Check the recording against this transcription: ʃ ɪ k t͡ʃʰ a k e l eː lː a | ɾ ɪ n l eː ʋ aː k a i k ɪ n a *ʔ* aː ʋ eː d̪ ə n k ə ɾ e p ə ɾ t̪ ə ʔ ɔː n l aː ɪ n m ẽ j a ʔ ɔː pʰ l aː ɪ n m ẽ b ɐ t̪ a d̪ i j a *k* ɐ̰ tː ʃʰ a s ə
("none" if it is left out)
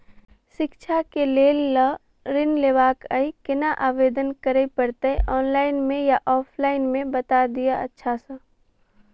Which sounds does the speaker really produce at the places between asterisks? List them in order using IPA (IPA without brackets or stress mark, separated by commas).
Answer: ʔ, none